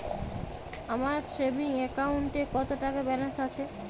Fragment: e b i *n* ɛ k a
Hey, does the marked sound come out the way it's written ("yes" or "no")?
no